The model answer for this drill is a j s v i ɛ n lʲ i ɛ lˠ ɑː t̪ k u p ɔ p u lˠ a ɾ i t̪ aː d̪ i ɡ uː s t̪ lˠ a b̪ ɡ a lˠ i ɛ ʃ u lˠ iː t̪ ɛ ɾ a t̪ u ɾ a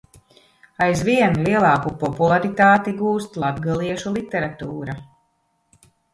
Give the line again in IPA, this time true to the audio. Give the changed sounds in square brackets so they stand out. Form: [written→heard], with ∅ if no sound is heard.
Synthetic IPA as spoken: a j [s→z] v i ɛ n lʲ i ɛ lˠ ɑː [t̪→∅] k u p ɔ p u lˠ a ɾ i t̪ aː [d̪→t̪] i ɡ uː s t̪ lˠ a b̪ ɡ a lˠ i ɛ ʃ u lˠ [iː→i] t̪ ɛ ɾ a t̪ [u→uː] ɾ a